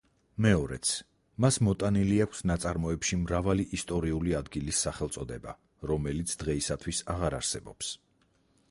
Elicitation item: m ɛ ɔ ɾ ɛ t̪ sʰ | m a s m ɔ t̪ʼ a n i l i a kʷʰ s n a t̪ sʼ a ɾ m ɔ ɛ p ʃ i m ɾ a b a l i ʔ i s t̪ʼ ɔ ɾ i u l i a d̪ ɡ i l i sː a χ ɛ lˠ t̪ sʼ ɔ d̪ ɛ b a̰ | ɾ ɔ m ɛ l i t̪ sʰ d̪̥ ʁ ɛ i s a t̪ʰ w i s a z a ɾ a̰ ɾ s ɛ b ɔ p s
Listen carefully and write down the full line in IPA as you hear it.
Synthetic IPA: m ɛ ɔ ɾ ɛ t̪ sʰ | m a s m ɔ t̪ʼ a n i l i a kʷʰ s n a t̪ sʼ a ɾ m ɔ ɛ p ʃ i m ɾ a v a l i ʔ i s t̪ʼ ɔ ɾ i u l i a d̪ ɡ i l i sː a χ ɛ lˠ t̪ sʼ ɔ d̪ ɛ b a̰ | ɾ ɔ m ɛ l i t̪ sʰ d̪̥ ʁ ɛ i s a t̪ʰ w i s a ʁ a ɾ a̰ ɾ s ɛ b ɔ p s